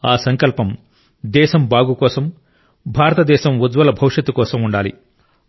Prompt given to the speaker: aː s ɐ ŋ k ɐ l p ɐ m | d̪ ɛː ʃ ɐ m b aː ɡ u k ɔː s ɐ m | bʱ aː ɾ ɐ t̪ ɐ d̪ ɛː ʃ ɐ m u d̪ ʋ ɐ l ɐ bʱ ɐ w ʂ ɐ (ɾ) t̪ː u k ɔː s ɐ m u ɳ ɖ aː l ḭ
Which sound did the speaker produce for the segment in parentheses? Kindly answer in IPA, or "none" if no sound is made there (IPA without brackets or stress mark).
none